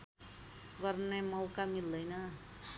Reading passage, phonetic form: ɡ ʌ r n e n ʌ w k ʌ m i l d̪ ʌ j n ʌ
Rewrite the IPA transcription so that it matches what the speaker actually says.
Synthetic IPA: ɡ ʌ r n e m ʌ w k a m i l d̪ ʌ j n ʌ